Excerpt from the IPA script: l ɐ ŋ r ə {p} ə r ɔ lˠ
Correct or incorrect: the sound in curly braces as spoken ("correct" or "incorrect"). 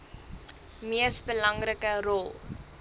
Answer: incorrect